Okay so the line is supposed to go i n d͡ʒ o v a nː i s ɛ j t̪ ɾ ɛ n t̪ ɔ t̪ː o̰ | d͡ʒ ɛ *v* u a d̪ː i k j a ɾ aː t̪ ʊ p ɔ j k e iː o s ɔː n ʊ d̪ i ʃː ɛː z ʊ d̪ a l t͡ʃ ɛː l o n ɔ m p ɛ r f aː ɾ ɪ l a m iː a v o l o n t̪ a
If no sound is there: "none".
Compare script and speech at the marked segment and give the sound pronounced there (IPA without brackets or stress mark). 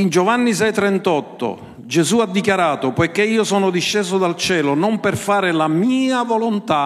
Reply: z